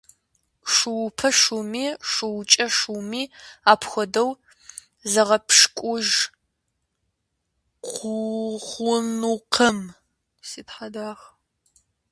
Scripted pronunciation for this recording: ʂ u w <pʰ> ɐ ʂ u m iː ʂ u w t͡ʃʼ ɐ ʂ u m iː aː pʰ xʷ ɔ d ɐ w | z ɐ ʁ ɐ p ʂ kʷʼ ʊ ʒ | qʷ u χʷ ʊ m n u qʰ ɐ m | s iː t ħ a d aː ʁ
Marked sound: correct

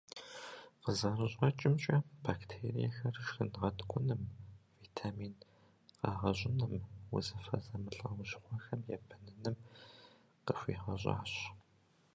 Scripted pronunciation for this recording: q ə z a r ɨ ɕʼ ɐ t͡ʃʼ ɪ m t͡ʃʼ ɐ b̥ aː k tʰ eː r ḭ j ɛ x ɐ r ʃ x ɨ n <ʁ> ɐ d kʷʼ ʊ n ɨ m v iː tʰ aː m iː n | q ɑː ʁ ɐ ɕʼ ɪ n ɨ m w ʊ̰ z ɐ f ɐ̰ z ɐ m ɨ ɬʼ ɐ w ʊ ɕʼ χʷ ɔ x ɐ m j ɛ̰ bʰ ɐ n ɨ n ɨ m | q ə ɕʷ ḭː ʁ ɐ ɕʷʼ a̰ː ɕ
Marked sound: correct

